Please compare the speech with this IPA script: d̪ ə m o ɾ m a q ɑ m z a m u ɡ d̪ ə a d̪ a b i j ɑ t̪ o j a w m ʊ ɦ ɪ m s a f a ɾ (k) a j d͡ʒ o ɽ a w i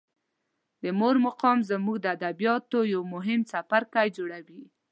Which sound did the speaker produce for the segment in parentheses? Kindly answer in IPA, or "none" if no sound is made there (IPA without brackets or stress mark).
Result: k